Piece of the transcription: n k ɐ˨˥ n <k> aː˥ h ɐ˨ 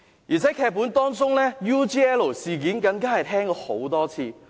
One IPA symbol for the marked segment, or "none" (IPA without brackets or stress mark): k